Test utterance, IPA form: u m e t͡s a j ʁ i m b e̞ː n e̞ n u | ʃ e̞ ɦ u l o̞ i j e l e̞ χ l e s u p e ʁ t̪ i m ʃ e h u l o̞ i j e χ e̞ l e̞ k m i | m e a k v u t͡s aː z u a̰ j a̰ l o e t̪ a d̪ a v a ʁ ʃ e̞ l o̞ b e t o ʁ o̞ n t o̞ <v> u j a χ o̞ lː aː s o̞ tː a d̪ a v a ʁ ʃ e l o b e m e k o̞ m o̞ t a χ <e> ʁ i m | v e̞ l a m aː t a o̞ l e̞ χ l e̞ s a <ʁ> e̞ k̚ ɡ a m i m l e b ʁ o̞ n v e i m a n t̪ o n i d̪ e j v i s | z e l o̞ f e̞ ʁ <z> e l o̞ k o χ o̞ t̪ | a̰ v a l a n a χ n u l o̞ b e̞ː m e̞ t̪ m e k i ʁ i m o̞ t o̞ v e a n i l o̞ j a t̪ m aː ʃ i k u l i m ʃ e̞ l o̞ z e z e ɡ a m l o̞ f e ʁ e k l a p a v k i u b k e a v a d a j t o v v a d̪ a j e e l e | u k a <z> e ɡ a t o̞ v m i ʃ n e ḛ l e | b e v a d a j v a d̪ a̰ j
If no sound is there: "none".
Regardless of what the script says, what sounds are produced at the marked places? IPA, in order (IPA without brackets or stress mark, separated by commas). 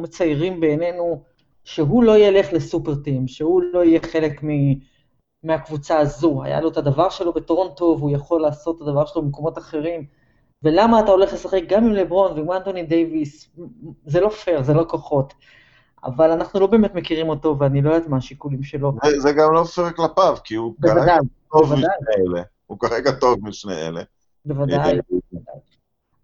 v, e, χ, z, ʁ